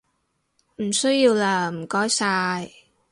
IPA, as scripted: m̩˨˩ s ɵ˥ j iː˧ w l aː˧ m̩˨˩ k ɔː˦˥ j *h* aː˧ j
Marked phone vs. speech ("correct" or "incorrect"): incorrect